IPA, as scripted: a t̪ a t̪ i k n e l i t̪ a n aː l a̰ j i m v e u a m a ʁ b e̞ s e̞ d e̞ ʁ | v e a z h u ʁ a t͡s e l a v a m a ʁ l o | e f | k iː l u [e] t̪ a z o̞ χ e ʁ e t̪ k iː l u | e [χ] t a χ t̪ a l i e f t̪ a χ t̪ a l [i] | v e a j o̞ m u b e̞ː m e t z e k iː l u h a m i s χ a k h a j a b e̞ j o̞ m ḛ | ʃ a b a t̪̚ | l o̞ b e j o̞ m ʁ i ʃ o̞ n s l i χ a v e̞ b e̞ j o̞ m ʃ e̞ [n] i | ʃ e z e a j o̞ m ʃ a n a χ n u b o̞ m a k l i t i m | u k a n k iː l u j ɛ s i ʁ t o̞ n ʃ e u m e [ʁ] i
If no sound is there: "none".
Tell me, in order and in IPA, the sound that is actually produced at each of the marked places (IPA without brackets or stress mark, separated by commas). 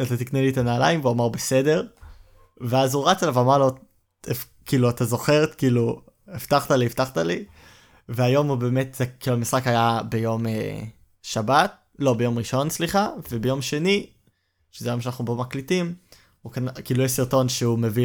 a, f, i, n, v